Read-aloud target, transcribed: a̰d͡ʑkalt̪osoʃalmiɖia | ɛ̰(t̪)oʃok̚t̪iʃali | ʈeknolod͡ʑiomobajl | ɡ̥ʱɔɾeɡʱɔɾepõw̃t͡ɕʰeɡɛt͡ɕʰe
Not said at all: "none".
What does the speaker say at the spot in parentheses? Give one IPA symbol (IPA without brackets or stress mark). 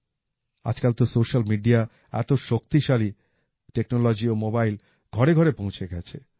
t̪